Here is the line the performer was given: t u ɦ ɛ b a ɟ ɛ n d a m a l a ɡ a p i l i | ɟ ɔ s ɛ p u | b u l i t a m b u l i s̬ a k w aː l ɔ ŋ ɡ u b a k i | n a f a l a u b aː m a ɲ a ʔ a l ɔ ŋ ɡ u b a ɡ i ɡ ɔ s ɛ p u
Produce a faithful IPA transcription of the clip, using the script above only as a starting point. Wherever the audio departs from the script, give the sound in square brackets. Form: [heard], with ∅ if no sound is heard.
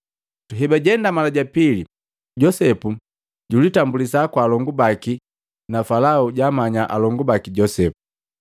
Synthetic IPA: t u ɦ ɛ b a ɟ ɛ n d a m a l a [ɟ] a p i l i | ɟ ɔ s ɛ p u | [ɟ] u l i t a m b u l i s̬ a k w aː l ɔ ŋ ɡ u b a k i | n a f a l a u [ɟ] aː m a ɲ a ʔ a l ɔ ŋ ɡ u b a [k] i [ɟ] ɔ s ɛ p u

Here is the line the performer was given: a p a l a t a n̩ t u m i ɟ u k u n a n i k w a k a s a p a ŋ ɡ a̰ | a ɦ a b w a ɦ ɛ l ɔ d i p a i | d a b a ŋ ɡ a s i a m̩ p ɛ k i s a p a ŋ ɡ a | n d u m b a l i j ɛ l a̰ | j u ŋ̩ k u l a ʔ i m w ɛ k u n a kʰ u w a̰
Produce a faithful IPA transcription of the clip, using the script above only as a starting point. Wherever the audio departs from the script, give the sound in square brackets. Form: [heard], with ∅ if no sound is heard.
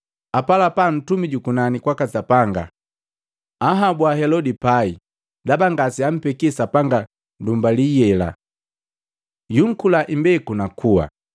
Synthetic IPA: a p a l a [p] a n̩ t u m i ɟ u k u n a n i k w a k a s a p a ŋ ɡ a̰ | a ɦ a b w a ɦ ɛ l ɔ d i p a i | d a b a ŋ ɡ a s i a m̩ p ɛ k i s a p a ŋ ɡ a | n d u m b a l i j ɛ l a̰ | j u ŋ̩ k u l a ʔ i m [b] ɛ k u n a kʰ u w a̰

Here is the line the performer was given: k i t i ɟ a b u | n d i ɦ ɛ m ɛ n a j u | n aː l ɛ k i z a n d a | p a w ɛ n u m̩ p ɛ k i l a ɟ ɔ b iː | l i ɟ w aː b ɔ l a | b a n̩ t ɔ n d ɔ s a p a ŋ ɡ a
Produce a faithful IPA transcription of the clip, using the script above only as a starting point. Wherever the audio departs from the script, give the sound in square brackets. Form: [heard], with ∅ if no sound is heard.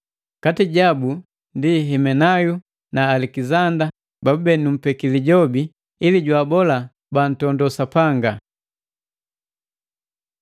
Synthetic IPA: k [a] t i ɟ a b u | n d i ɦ ɛ m ɛ n a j u | n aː l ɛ k i z a n d a | [b] a [b] ɛ n u m̩ p ɛ k i l [i] ɟ ɔ b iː | l i ɟ w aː b ɔ l a | b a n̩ t ɔ n d ɔ s a p a ŋ ɡ a

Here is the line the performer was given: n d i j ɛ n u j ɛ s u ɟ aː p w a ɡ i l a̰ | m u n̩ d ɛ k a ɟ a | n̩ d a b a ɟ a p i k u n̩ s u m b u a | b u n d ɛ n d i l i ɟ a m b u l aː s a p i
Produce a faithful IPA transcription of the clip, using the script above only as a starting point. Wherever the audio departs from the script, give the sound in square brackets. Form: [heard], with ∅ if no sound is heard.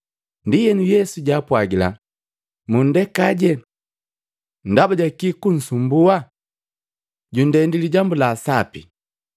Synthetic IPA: n d i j ɛ n u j ɛ s u ɟ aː p w a ɡ i l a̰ | m u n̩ d ɛ k a ɟ [ɛ] | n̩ d a b a ɟ a [k] i k u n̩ s u m b u a | [ɟ] u n d ɛ n d i l i ɟ a m b u l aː s a p i

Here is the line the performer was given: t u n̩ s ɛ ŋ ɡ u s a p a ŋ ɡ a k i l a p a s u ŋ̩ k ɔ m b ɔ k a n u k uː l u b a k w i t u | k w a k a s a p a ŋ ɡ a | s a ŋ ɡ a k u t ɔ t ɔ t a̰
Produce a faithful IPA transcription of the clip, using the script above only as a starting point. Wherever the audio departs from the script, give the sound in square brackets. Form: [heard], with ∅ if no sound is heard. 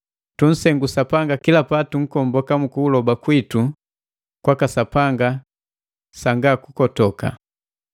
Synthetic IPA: t u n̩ s ɛ ŋ ɡ u s a p a ŋ ɡ a k i l a p a [t] u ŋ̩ k ɔ m b ɔ k a [m] u k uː l [ɔ] b a k w i t u | k w a k a s a p a ŋ ɡ a | s a ŋ ɡ a k u [k] ɔ t ɔ [k] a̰

